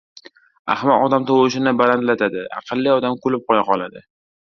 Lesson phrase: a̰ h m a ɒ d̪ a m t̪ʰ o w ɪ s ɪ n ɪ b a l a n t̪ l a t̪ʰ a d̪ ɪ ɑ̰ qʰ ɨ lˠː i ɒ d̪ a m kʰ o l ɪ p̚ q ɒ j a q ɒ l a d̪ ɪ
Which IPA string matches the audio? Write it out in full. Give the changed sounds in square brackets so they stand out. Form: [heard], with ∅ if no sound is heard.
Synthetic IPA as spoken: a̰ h m a ɒ d̪ a m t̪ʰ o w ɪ [ʃ] ɪ n ɪ b a l a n t̪ l a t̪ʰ a d̪ ɪ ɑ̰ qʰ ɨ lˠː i ɒ d̪ a m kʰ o l ɪ p̚ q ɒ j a q ɒ l a d̪ ɪ